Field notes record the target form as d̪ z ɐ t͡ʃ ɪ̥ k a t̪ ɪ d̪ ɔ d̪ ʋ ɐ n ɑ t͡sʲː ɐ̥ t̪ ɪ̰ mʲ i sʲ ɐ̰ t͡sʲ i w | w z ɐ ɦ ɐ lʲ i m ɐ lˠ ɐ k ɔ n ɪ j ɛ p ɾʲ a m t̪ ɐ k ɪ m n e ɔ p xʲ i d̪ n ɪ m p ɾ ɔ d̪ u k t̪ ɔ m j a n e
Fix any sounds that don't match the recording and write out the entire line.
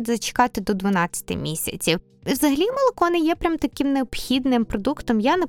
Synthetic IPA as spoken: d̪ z ɐ t͡ʃ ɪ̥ k ɑ t̪ ɪ d̪ ɔ d̪ ʋ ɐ n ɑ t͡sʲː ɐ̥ t̪ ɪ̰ mʲ i sʲ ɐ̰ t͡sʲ i w | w z ɐ ɦ ɐ lʲ i m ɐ lˠ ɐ k ɔ n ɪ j ɛ p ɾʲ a m t̪ ɐ k ɪ m n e ɔ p xʲ i d̪ n ɪ m p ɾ ɔ d̪ u k t̪ ɔ m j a n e